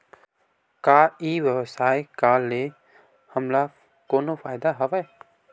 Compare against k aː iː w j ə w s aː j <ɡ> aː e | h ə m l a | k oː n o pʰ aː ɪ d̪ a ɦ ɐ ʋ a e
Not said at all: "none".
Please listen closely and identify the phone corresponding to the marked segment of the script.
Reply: k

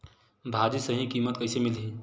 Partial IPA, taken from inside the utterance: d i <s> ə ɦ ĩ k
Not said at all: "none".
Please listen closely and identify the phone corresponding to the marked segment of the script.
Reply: s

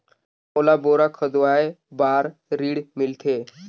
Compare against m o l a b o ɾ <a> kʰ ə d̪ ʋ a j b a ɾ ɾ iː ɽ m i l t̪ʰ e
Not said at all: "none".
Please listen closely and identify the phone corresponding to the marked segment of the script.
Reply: a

